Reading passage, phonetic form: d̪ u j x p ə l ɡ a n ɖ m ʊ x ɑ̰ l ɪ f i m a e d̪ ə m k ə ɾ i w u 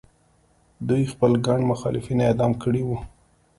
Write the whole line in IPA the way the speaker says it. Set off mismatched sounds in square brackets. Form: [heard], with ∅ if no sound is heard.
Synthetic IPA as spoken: d̪ u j x p ə l ɡ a [ɳ] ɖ m ʊ x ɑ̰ l ɪ f i [n] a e d̪ [ɑ] m k ə [ɽ] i w u